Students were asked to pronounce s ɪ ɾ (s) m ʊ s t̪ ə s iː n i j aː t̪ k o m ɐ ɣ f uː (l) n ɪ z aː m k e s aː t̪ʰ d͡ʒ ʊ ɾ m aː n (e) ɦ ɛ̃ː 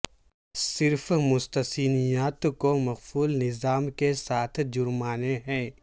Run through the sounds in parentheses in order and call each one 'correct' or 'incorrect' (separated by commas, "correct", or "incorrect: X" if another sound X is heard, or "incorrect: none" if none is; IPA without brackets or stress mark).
incorrect: f, correct, correct